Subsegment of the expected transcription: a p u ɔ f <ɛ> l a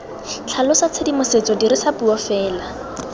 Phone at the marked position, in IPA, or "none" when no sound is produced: ɛː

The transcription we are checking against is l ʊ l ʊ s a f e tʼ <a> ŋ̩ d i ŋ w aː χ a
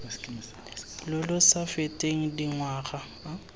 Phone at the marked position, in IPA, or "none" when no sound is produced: e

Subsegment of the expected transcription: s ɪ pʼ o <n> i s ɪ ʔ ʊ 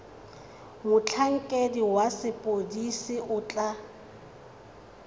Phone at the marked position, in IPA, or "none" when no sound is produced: d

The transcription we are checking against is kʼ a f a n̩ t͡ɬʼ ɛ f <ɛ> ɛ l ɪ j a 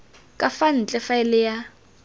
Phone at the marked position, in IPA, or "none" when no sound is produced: a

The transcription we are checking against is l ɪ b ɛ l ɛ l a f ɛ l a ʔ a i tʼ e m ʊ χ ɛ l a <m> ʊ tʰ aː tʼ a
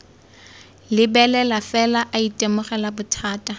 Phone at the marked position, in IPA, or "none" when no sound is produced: b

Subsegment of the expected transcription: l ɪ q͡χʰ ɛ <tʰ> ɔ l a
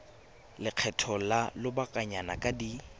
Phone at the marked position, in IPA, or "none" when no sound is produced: tʰ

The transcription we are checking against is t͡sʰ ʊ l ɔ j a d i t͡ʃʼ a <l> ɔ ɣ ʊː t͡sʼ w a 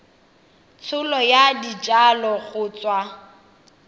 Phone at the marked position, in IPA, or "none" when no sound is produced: l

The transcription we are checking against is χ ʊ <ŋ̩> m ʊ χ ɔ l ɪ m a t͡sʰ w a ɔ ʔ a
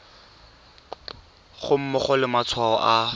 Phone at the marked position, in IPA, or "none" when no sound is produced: m̩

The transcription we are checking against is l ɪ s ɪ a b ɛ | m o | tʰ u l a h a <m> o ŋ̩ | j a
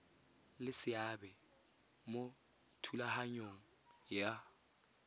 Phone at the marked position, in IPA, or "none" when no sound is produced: ɲ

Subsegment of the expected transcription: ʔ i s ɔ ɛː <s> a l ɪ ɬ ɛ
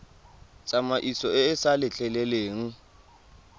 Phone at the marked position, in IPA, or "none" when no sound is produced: s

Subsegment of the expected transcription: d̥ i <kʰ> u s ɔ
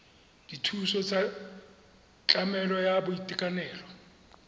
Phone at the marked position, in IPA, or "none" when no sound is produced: tʰ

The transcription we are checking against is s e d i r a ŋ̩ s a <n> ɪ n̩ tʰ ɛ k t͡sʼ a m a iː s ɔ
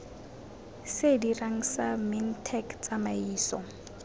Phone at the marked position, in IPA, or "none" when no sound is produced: m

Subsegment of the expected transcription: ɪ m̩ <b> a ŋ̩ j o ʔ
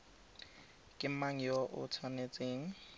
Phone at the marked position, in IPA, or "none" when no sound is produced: m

